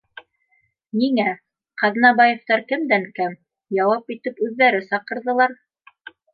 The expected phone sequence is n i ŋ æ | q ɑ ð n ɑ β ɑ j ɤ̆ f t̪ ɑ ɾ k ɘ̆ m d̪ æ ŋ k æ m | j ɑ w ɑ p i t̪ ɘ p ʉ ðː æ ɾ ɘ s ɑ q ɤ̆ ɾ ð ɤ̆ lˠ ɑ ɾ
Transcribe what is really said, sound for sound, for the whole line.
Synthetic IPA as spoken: n i ŋ æ | q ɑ ð n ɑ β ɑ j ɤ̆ f t̪ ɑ ɾ k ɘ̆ m d̪ æ ŋ k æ m | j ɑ w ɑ p i t̪ ɘ p ʉ ðː æ ɾ ɘ s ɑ q ɤ̆ ɾ ð ɤ̆ lˠ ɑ ɾ